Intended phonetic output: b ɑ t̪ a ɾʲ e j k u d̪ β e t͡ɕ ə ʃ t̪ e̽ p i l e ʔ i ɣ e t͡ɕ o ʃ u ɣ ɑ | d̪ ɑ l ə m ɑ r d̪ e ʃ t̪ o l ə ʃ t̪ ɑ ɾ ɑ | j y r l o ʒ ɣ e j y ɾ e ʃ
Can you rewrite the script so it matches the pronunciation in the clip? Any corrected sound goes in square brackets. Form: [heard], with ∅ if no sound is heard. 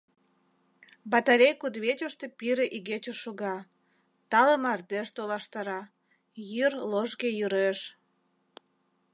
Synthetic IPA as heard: b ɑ t̪ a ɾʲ e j k u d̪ β e t͡ɕ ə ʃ t̪ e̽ p i [ɾ] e ʔ i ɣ e t͡ɕ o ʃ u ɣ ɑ | [t̪] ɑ l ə m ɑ r d̪ e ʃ t̪ o l [ɑ] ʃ t̪ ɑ ɾ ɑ | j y r l o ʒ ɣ e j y ɾ e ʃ